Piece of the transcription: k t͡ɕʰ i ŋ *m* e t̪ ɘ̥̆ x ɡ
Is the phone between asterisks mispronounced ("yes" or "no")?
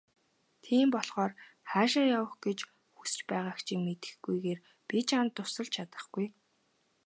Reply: no